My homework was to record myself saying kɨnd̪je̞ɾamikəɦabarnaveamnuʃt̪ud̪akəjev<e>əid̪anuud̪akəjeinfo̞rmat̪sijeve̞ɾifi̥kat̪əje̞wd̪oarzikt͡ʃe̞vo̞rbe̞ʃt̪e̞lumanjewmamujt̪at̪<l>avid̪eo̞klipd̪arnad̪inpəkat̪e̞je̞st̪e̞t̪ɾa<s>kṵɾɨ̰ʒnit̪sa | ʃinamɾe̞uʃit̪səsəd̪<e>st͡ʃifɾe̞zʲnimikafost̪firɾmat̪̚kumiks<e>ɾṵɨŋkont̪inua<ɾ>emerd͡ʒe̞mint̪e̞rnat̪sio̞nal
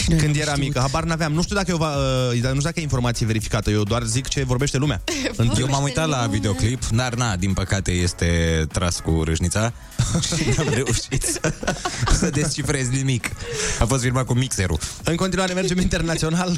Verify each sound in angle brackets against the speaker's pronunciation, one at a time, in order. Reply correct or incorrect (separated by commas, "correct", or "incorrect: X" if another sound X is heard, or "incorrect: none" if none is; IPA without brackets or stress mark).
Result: incorrect: a, correct, correct, correct, correct, correct